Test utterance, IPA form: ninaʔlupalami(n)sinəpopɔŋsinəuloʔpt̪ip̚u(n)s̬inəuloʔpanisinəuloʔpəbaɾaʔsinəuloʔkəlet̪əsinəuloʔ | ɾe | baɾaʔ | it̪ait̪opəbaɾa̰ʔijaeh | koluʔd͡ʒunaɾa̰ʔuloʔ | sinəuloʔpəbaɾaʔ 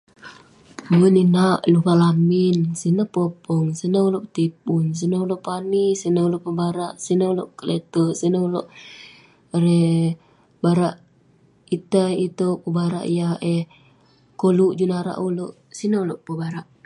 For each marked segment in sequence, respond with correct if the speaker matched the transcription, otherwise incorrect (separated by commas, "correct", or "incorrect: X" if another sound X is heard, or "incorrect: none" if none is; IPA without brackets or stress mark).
correct, correct